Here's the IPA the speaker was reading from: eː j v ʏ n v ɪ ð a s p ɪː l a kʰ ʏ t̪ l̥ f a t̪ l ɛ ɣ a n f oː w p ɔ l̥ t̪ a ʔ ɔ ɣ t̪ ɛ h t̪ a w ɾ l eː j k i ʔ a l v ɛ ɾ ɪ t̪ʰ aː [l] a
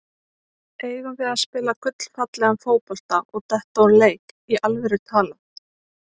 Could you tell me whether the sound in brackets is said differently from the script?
no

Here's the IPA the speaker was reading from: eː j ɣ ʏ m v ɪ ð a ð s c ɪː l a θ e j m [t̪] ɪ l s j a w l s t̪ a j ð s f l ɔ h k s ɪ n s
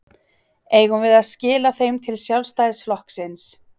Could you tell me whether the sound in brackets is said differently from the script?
yes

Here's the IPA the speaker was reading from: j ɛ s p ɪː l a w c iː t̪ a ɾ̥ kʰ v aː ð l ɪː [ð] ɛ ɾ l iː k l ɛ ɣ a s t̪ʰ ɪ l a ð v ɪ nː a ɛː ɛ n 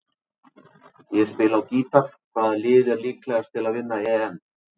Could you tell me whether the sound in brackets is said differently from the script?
no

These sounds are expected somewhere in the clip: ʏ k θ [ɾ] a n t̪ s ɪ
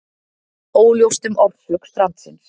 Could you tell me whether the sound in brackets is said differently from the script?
no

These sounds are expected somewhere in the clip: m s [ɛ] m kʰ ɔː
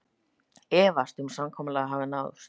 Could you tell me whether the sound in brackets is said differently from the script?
yes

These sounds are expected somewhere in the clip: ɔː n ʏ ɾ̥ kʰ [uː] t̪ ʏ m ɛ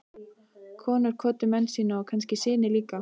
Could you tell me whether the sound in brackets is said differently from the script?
yes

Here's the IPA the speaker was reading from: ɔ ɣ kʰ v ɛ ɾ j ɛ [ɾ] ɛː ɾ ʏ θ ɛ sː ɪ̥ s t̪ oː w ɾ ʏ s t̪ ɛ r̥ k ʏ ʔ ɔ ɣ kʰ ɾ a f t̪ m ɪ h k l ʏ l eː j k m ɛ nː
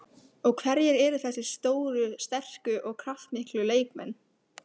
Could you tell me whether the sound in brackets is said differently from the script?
no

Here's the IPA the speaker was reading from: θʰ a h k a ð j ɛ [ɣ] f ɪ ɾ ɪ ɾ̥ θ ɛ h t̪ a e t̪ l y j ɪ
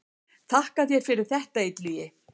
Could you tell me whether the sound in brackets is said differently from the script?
no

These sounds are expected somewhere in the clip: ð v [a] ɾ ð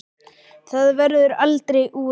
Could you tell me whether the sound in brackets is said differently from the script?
yes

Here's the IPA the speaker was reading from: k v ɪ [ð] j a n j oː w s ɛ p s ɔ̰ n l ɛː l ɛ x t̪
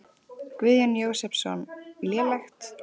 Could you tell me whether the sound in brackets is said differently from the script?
no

